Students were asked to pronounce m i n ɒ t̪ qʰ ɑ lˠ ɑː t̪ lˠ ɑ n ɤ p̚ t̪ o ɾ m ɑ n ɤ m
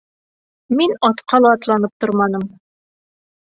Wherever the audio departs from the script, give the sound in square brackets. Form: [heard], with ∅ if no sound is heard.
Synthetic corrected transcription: m i n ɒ t̪ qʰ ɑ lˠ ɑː t̪ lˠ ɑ n ɤ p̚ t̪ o ɾ m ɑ n ɤ m